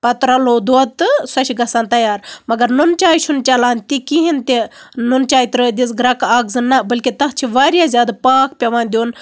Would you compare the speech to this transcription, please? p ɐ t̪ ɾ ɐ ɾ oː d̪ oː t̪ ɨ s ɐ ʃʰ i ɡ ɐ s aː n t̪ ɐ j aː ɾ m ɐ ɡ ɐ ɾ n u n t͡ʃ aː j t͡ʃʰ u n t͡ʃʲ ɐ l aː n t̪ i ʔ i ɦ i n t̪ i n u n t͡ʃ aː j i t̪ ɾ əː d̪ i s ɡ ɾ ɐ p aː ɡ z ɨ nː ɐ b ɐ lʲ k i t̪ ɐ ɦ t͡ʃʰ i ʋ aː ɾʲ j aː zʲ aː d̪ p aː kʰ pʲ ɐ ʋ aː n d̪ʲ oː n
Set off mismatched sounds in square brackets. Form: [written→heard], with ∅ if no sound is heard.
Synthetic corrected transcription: p ɐ t̪ ɾ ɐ [ɾ→l] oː d̪ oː t̪ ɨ s ɐ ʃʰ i ɡ ɐ s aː n t̪ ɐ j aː ɾ m ɐ ɡ ɐ ɾ n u n t͡ʃ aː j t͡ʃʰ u n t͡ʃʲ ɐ l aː n t̪ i [ʔ→k] i ɦ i n t̪ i n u n t͡ʃ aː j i t̪ ɾ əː d̪ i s ɡ ɾ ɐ [p→k] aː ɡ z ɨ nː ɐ b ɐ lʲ k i t̪ ɐ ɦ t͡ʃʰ i ʋ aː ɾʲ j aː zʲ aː d̪ p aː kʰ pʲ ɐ ʋ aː n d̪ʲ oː n